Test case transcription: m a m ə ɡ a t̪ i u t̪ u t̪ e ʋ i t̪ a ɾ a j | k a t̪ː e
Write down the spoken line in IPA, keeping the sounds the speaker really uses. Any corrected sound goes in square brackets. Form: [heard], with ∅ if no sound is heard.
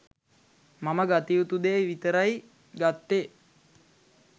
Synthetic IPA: m a m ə ɡ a t̪ i u t̪ u [d̪] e ʋ i t̪ [ə] ɾ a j | [ɡ] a t̪ː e